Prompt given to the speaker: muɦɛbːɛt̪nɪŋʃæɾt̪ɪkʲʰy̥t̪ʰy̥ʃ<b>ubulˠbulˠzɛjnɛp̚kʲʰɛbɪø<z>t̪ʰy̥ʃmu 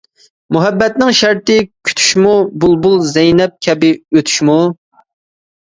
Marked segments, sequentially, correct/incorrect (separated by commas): incorrect, incorrect